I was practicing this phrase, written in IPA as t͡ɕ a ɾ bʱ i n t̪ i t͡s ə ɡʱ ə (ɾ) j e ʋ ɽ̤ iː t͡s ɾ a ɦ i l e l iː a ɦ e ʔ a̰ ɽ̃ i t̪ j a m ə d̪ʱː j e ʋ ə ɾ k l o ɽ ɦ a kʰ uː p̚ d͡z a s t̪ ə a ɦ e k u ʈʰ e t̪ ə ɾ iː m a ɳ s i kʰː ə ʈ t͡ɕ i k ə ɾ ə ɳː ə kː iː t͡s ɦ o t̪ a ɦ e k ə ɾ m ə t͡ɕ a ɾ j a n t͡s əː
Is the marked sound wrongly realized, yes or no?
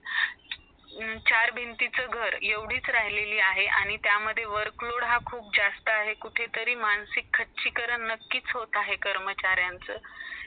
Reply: no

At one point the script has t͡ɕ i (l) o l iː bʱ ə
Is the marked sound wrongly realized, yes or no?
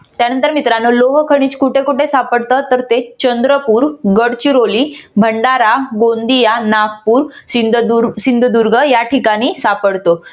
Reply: yes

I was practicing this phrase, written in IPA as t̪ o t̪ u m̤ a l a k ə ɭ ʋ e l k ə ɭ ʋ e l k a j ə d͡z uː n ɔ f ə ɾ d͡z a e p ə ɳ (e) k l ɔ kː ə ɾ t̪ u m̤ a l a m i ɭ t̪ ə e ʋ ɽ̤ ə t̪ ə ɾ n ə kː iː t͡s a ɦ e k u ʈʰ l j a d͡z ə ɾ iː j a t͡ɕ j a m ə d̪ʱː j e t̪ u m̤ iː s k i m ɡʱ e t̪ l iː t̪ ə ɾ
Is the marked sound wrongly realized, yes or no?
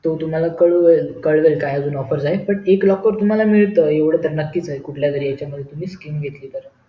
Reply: no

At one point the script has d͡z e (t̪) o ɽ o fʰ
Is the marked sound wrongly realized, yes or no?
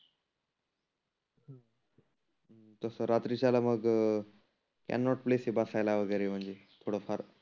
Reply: yes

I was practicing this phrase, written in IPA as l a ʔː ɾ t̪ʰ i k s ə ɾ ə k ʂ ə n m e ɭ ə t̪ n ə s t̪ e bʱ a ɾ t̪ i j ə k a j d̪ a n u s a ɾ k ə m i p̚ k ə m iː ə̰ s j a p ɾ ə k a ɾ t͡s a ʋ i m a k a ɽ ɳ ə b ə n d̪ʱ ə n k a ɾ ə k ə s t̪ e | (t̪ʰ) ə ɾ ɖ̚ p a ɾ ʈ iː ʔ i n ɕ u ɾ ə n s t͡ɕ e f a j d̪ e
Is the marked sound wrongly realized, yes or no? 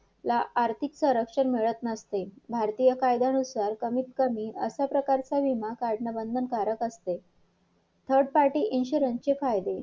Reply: no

